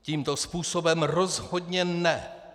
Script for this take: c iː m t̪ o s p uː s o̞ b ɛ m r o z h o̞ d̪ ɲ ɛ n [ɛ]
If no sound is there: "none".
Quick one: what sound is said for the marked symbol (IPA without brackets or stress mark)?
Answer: ɛ